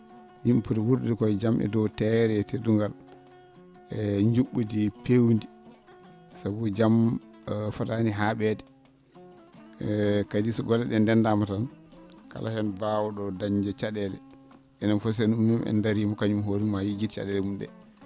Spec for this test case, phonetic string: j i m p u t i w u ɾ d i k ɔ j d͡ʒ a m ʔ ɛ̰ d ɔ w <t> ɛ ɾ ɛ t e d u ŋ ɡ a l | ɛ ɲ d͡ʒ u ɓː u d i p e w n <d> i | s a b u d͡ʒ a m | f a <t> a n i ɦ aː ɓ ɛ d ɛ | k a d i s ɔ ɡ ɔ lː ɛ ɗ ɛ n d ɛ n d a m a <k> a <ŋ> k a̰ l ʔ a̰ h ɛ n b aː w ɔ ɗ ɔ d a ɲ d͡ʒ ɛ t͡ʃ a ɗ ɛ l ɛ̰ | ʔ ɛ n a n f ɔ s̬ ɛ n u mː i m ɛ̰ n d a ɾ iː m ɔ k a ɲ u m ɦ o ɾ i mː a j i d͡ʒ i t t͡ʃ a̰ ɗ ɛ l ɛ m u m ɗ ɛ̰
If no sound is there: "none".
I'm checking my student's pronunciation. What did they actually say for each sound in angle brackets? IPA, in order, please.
t, d, t, t, n

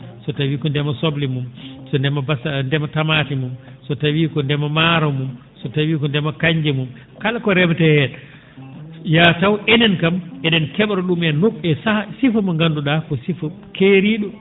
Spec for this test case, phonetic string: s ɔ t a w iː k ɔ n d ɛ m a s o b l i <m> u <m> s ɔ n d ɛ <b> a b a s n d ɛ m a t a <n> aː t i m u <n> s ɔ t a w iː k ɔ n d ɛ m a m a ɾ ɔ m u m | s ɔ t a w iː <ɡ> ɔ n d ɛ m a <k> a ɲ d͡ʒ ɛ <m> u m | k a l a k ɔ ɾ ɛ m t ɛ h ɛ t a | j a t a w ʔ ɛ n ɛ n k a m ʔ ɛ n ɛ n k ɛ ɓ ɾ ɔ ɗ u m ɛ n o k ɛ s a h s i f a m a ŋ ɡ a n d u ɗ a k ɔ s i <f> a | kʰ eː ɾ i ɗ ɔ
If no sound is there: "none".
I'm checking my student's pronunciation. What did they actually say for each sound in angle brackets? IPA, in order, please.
m, m, m, m, m, k, k, m, f

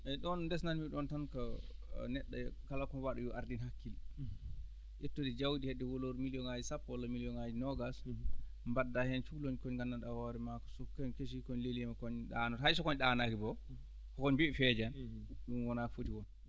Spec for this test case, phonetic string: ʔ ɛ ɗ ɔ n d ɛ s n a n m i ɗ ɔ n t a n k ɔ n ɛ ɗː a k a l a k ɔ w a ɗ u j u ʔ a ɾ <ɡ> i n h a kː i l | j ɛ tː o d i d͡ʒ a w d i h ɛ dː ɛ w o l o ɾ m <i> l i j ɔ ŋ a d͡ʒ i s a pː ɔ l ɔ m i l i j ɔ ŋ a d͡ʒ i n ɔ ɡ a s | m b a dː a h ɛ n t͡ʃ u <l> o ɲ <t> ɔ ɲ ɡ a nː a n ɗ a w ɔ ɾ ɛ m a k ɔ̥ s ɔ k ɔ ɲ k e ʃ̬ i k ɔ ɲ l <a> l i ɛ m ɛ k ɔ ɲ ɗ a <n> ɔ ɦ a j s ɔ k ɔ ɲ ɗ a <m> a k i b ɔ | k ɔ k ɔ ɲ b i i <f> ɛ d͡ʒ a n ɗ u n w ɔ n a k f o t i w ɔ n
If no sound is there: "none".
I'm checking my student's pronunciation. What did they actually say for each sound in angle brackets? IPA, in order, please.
d, i, l, k, e, n, n, f

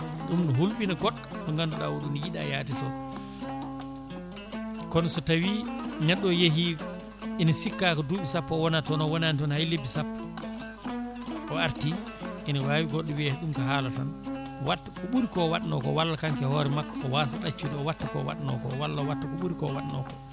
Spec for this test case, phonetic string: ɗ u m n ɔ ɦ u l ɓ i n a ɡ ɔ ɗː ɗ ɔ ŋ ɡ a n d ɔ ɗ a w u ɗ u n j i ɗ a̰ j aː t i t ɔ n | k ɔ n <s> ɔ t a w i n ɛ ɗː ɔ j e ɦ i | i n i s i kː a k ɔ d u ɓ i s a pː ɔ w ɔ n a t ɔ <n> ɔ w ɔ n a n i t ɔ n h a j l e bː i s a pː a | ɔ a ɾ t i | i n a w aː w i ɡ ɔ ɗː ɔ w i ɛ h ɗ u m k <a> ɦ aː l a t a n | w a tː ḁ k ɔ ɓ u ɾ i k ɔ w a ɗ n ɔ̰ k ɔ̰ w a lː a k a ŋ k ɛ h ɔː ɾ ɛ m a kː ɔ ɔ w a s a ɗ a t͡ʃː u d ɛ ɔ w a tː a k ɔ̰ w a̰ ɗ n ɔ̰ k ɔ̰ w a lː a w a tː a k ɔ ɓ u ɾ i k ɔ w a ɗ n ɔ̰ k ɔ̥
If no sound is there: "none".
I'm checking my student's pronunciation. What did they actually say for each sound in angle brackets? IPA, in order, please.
s, n, a

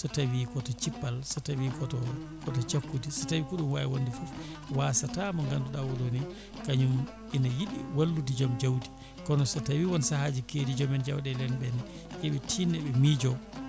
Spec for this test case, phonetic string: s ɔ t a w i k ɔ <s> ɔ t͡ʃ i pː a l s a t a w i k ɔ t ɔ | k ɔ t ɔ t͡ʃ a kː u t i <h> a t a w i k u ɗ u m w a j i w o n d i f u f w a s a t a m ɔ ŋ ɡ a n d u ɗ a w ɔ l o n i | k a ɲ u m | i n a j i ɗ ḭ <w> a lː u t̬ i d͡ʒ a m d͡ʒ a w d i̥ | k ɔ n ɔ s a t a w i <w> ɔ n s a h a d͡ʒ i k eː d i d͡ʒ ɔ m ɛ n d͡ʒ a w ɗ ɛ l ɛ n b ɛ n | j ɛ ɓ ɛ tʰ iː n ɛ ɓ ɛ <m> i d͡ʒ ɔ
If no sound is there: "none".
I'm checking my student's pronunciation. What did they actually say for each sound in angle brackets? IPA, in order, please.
t, s, w, w, m

